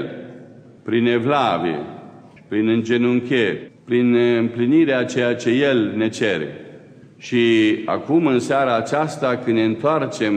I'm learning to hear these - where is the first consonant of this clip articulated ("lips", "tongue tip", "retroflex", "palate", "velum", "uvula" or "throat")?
tongue tip